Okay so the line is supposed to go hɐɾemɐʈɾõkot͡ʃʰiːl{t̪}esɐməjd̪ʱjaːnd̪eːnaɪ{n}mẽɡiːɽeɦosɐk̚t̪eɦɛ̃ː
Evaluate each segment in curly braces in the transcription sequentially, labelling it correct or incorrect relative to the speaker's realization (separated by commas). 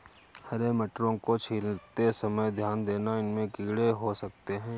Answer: correct, correct